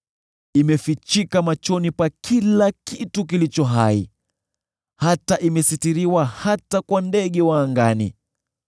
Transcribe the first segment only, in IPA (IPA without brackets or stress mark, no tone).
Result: i